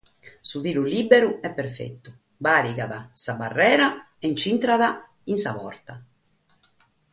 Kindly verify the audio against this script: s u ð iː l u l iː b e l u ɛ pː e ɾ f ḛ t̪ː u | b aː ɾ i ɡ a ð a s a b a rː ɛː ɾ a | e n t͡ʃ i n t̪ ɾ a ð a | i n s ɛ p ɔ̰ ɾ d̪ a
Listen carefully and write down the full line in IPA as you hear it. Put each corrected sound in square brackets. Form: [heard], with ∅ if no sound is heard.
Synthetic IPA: s u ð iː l u l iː b e [ɾ] u ɛ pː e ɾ f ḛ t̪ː u | b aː ɾ i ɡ a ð a s a b a rː ɛː ɾ a | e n t͡ʃ i n t̪ ɾ a ð a | i n s [a] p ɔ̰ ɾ [t̪] a